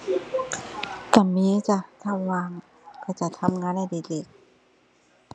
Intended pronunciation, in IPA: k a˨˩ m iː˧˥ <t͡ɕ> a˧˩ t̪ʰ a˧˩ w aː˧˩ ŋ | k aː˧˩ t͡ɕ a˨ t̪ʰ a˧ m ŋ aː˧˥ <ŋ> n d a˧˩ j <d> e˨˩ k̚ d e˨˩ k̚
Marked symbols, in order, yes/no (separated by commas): yes, no, yes